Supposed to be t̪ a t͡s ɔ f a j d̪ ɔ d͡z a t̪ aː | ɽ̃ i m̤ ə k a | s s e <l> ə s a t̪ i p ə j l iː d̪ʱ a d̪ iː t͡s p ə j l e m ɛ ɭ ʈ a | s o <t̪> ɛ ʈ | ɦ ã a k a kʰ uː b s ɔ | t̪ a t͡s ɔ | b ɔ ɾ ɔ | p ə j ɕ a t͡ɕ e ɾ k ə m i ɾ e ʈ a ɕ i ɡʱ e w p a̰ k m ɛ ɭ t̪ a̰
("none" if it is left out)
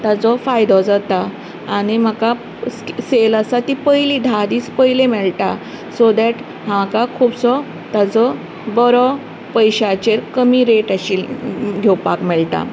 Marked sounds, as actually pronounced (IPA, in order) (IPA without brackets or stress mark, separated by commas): l, d̪